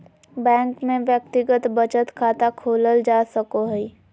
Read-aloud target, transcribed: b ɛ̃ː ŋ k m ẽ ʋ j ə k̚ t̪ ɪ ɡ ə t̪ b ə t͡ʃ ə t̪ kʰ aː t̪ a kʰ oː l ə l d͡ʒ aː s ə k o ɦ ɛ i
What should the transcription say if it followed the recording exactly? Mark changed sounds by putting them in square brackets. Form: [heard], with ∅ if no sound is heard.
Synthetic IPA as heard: b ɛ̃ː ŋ k m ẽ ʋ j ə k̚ t̪ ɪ ɡ ə t̪ b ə t͡ʃ ə t̪ kʰ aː t̪ a kʰ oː l ə l d͡ʒ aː s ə k o ɦ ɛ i